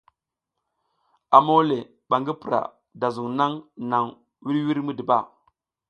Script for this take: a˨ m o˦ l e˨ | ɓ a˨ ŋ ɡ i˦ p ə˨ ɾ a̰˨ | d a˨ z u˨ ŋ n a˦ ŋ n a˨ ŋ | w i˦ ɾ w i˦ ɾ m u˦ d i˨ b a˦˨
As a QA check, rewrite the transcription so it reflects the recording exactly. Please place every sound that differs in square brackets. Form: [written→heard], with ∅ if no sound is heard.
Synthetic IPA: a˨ m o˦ l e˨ | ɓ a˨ ŋ ɡ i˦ p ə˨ ɾ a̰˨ | d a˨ z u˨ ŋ n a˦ ŋ n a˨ ŋ | w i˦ ɾ w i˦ ɾ m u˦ d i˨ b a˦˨